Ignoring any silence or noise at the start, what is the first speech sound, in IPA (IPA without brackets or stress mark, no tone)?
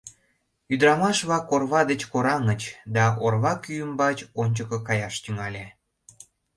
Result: y